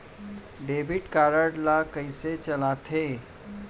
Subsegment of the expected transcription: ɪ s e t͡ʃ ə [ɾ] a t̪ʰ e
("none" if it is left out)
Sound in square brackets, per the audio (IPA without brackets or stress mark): l